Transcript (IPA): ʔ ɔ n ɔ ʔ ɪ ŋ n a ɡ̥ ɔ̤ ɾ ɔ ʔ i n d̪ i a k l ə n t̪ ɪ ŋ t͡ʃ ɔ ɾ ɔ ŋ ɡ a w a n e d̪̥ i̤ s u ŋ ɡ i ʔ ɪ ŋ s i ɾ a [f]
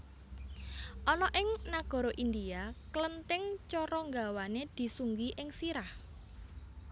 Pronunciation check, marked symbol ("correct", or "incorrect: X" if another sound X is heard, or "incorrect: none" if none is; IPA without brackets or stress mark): incorrect: h